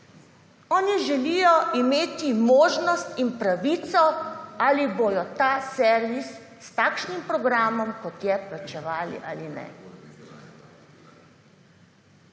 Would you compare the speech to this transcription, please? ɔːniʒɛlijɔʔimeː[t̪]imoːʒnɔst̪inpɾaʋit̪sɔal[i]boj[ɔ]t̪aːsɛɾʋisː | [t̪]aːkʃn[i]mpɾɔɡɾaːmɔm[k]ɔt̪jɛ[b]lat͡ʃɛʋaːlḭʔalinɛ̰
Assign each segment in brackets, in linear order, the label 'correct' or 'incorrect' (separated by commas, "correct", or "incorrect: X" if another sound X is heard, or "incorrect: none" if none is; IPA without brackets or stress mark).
correct, correct, correct, correct, correct, correct, incorrect: p